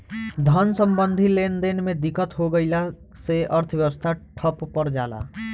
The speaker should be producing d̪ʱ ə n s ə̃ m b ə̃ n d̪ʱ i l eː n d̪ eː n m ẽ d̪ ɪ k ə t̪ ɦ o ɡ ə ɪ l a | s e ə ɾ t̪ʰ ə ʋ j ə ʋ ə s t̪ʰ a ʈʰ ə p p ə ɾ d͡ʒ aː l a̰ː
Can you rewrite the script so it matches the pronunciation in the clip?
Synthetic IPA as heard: d̪ʱ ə n s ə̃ m b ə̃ n d̪ʱ i l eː n d̪ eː n m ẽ d̪ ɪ k ə t̪ ɦ o ɡ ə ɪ l a | s e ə ɾ t̪ʰ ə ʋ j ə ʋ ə s t̪ʰ a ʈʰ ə p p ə ɾ d͡ʒ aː l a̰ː